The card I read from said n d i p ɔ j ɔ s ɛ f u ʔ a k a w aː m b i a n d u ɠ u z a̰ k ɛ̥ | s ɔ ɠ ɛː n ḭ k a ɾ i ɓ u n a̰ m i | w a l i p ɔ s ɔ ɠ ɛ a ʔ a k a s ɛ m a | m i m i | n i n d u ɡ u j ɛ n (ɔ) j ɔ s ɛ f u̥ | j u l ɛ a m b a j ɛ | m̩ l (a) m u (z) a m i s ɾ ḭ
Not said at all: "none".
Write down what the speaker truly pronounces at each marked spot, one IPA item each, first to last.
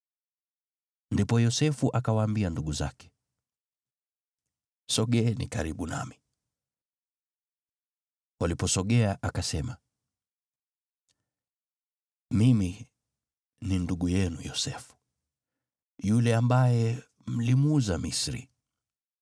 u, i, z

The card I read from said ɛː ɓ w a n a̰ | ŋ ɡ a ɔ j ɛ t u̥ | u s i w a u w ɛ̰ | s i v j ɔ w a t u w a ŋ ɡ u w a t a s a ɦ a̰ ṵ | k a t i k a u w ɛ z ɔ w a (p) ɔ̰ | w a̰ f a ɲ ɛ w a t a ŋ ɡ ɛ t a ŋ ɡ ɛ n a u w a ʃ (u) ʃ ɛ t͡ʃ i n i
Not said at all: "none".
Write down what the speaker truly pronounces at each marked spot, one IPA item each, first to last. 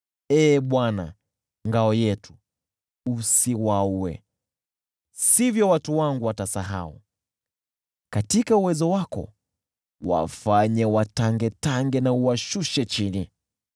k, u

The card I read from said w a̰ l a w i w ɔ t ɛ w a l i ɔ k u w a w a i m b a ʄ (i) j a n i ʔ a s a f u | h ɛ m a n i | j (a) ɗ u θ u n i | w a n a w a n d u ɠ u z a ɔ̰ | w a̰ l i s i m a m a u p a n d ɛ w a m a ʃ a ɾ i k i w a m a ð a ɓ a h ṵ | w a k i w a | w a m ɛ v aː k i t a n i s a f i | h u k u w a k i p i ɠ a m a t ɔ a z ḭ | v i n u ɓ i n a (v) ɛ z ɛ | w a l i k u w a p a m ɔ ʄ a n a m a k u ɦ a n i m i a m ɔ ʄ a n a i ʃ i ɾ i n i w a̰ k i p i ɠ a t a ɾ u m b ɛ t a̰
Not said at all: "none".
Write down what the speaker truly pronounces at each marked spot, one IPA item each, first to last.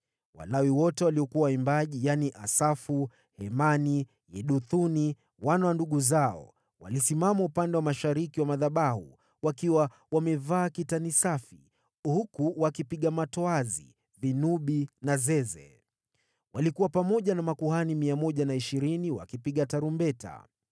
i, ɛ, z

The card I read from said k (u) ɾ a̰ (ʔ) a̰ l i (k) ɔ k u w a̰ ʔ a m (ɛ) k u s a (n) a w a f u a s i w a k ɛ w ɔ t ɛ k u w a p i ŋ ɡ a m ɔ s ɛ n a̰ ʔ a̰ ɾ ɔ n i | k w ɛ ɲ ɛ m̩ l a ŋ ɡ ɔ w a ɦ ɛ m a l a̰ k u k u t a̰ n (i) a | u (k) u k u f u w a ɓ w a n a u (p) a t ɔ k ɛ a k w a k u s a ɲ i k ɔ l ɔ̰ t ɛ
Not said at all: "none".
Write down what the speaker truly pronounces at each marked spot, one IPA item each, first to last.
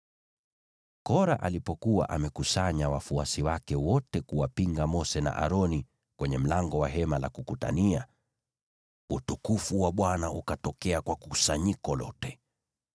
ɔ, ʔ, p, ɛ, ɲ, i, t, k

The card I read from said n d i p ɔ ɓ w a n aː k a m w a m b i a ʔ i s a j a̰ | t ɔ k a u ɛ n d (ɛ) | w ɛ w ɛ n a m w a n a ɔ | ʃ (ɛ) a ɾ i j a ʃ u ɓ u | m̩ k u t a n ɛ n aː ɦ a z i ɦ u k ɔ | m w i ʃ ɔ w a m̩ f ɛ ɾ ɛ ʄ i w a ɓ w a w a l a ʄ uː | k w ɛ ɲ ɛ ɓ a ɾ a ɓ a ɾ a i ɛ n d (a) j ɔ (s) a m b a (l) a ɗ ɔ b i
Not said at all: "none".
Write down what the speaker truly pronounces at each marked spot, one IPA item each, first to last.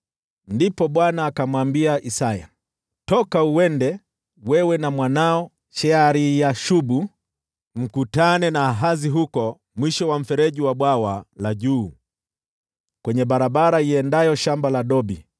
ɛ, ɛ, a, ʃ, l

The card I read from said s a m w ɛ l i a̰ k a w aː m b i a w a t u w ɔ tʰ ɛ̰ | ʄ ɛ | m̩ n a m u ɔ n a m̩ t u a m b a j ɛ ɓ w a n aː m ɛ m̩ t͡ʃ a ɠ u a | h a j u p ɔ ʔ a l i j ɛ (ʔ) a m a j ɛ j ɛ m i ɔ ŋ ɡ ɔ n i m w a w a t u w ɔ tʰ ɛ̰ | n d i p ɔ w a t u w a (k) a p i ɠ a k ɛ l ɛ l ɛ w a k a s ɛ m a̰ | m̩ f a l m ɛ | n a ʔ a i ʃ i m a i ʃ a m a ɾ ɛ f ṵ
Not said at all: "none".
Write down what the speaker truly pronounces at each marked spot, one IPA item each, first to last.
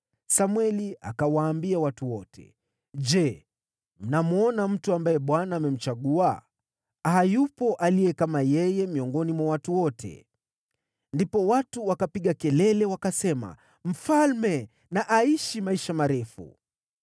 k, k

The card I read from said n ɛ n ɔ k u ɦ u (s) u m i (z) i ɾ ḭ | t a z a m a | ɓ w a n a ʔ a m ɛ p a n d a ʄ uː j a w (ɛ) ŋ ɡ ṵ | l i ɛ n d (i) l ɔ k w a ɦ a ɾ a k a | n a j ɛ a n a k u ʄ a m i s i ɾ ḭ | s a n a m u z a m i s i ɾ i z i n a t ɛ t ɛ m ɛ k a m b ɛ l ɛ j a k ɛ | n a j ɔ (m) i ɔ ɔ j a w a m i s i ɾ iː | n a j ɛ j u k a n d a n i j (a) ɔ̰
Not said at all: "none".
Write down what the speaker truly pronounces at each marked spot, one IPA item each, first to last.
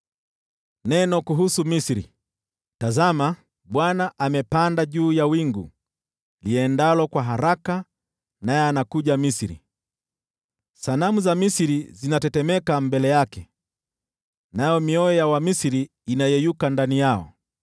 s, s, i, a, m, a

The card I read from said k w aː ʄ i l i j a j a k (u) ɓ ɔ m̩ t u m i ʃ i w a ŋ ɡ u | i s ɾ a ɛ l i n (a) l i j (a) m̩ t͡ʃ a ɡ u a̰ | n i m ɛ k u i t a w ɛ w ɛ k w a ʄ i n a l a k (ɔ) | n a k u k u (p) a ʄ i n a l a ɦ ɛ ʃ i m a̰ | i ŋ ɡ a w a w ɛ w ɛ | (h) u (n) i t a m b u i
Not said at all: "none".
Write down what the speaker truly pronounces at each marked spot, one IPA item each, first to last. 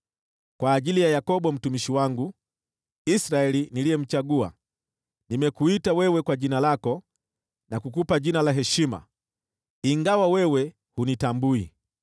ɔ, i, ɛ, ɔ, p, h, n

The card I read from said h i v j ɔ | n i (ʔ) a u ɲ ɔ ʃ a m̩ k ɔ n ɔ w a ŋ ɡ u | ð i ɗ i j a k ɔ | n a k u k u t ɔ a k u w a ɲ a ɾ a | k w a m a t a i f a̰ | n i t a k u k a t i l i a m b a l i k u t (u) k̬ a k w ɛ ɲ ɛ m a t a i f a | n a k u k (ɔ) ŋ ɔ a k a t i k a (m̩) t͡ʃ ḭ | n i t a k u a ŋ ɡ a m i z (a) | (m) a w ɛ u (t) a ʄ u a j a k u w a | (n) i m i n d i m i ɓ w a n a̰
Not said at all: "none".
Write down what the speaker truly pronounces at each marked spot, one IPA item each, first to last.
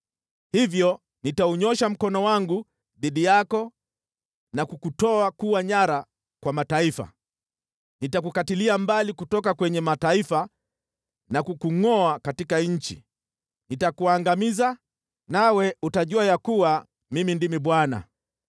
t, ɔ, u, ɲ̩, a, n, t, m

